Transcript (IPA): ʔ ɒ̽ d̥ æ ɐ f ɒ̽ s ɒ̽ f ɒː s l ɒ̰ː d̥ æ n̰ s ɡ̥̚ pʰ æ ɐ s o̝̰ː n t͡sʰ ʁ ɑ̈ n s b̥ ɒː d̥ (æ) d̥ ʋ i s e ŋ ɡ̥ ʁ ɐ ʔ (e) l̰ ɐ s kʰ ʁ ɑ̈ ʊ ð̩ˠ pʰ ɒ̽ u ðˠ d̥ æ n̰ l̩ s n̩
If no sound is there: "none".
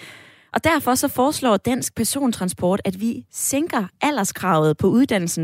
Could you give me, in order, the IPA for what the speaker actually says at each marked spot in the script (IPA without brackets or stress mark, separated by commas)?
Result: æ, æ